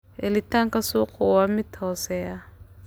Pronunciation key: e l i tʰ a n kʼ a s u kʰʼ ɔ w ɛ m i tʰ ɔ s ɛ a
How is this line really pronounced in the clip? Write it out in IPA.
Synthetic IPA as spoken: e l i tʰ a ŋ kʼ a s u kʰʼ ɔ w a m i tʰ ɔ s ɛ a